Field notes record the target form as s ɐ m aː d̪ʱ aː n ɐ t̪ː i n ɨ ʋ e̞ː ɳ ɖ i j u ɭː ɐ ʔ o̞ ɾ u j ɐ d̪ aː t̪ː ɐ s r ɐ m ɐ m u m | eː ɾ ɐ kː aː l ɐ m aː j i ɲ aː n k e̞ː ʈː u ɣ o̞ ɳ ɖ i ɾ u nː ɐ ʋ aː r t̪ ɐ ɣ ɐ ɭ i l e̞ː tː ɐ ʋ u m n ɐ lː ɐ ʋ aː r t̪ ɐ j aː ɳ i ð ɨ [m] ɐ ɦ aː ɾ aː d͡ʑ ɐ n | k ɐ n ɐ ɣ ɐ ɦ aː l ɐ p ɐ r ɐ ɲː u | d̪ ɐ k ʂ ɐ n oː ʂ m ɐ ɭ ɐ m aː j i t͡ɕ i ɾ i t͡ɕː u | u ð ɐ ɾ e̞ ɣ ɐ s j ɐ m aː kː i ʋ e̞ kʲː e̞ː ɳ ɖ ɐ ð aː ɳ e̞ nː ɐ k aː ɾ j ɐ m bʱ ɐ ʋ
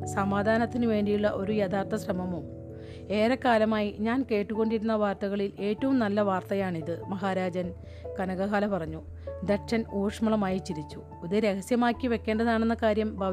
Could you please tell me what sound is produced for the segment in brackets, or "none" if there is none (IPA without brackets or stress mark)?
m